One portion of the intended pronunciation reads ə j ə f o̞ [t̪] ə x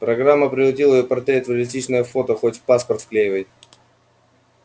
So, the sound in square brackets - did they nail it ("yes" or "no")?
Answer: yes